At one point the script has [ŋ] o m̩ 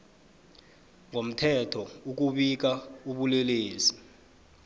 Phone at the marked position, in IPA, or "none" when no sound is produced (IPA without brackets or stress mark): ŋ